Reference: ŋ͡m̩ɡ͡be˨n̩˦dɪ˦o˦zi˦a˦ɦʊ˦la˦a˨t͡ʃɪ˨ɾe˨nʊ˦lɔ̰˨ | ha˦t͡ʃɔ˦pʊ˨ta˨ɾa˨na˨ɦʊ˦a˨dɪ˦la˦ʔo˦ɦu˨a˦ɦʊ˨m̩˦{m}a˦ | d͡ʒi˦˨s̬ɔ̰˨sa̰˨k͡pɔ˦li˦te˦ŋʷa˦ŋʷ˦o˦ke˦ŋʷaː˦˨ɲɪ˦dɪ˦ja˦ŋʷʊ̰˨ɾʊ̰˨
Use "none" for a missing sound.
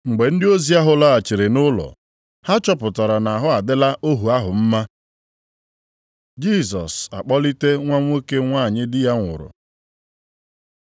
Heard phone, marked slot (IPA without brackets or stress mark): m